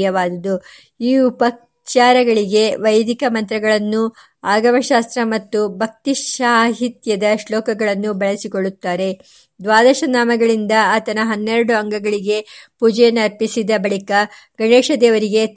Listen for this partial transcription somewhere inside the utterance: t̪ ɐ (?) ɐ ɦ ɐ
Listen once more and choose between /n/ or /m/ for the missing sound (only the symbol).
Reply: n